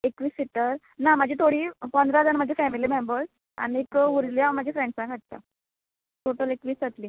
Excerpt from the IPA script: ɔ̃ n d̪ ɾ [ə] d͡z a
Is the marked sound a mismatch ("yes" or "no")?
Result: yes